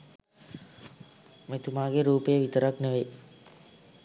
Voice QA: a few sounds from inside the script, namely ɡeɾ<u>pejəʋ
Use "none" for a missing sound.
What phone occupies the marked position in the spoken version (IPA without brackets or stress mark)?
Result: uː